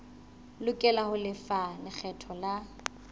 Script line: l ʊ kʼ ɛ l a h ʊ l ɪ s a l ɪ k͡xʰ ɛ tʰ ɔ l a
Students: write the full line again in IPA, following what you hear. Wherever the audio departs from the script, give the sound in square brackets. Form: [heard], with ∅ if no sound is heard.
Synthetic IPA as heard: l ʊ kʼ ɛ l a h ʊ l ɪ [f] a l ɪ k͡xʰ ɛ tʰ ɔ l a